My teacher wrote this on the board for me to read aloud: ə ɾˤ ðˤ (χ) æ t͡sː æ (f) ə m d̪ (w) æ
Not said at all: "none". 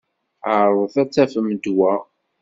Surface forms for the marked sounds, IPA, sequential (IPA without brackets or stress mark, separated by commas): θ, f, w